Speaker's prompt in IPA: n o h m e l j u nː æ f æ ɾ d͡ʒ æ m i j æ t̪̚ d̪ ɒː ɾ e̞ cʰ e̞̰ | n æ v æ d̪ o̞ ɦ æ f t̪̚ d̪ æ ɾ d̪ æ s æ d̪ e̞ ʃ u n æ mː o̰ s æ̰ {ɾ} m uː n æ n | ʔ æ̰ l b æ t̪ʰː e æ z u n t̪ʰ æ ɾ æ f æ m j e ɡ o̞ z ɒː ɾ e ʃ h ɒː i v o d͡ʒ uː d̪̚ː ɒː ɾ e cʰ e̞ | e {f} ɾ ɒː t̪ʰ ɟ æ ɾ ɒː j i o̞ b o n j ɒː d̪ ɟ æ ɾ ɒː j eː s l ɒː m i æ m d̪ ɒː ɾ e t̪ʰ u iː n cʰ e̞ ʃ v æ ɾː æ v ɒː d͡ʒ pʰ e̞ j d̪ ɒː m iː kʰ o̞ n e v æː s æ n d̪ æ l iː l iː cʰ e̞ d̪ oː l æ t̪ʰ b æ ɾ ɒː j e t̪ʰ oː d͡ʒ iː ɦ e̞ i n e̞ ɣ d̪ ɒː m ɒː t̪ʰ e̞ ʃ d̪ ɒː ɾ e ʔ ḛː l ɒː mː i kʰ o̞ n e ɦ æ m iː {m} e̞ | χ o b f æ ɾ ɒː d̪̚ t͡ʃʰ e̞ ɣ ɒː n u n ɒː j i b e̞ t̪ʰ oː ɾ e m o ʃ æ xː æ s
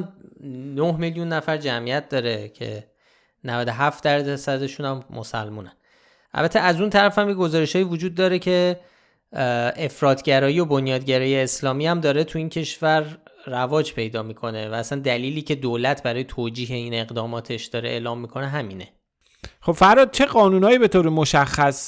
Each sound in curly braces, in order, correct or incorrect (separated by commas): incorrect, correct, incorrect